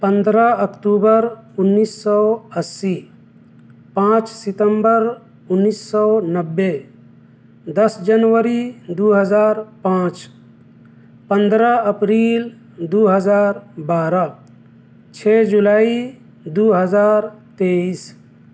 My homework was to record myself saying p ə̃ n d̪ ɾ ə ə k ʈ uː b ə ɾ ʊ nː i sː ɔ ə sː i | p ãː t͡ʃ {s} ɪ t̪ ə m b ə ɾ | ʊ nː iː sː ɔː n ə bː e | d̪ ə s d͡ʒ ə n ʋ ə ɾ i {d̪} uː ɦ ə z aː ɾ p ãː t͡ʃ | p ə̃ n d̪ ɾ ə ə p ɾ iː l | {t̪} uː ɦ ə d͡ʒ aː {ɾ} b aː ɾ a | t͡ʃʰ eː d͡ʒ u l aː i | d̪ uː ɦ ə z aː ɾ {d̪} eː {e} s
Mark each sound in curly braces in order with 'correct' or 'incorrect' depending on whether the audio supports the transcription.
correct, correct, incorrect: d̪, correct, incorrect: t̪, incorrect: i

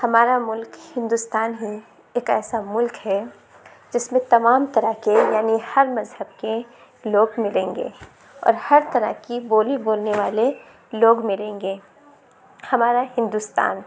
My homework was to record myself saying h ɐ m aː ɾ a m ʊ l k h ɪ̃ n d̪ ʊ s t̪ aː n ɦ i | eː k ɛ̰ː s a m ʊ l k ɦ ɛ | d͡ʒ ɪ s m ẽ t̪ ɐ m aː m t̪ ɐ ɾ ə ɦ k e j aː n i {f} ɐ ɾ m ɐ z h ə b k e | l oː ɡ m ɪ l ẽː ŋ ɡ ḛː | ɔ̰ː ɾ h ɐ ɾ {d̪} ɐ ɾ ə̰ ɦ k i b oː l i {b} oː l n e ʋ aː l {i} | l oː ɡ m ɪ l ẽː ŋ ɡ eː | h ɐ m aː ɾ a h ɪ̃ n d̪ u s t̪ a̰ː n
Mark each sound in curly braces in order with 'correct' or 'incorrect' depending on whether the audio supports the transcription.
incorrect: h, incorrect: t̪, correct, incorrect: e

